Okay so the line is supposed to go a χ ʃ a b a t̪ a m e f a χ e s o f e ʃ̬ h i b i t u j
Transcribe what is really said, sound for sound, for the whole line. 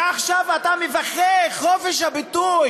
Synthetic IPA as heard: a χ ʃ a v a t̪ a m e v a χ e χ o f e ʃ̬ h a b i t u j